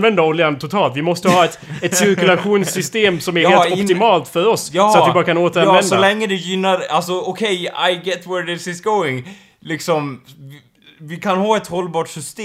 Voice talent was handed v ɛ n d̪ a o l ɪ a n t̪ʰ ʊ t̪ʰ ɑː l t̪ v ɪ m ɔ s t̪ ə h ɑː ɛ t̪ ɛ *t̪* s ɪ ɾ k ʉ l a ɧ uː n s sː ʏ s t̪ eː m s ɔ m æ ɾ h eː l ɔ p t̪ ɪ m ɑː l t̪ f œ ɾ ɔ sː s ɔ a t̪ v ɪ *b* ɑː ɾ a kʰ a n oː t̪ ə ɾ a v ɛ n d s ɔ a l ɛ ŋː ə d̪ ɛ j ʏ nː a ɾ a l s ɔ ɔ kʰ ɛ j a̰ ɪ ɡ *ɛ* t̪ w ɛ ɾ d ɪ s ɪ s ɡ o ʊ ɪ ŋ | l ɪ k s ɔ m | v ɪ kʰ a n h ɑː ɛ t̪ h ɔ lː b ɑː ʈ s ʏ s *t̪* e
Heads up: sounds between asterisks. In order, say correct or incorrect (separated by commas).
correct, correct, correct, correct